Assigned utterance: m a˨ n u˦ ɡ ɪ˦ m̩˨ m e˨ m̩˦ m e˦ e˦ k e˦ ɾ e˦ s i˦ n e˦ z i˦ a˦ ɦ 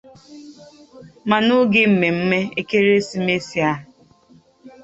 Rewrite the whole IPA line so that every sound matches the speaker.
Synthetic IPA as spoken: m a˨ n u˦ ɡ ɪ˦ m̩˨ m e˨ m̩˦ m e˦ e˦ k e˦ ɾ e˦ s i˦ m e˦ s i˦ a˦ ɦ